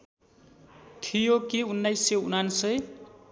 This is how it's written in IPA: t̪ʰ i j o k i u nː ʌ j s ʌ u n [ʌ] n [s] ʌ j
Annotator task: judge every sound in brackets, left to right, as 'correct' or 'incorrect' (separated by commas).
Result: incorrect, correct